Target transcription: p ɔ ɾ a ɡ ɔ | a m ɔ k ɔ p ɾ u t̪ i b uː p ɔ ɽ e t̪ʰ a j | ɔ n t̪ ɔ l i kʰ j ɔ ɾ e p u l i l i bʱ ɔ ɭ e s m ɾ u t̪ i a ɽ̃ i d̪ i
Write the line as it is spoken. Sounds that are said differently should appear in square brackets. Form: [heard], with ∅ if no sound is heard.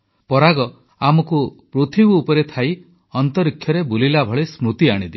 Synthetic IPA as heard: p ɔ ɾ a ɡ ɔ | a m ɔ k [u] p ɾ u [t̪ʰ] i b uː p ɔ [ɾ] e t̪ʰ a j | ɔ n t̪ ɔ [ɾ] i kʰ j ɔ ɾ e [b] u l i l [a] bʱ ɔ ɭ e s m ɾ u t̪ i a ɽ̃ i d̪ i